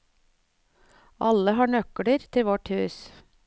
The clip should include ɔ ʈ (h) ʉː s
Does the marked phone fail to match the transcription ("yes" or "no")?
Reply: no